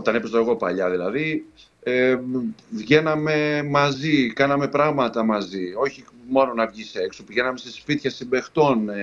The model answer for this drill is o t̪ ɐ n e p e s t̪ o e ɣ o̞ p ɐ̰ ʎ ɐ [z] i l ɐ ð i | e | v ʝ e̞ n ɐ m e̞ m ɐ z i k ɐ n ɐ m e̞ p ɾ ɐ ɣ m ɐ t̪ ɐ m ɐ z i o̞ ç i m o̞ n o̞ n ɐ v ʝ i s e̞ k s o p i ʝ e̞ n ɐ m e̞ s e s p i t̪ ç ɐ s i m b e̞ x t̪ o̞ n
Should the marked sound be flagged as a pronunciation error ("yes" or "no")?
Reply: yes